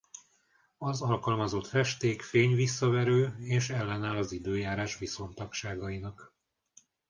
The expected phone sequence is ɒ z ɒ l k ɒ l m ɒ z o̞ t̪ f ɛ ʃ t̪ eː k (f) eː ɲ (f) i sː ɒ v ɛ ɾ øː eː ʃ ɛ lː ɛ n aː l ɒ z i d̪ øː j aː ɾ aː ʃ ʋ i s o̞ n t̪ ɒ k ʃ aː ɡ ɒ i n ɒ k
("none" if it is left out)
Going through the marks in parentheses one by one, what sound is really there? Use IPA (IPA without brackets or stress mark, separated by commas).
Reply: f, v